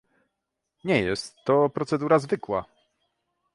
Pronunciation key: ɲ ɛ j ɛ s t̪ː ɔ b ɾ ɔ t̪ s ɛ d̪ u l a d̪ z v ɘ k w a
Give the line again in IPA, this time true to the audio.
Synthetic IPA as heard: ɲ ɛ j ɛ s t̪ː ɔ p ɾ ɔ t̪ s ɛ d̪ u ɾ a z v ɘ k w a